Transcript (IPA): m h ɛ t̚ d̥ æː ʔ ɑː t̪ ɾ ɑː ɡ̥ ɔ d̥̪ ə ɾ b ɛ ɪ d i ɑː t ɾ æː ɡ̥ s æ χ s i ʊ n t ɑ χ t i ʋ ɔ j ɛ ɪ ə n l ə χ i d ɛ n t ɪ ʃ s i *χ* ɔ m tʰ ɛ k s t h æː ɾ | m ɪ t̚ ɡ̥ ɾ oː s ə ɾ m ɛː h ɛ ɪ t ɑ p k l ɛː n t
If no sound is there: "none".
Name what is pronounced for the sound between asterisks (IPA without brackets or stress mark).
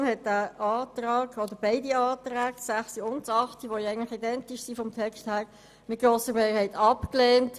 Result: f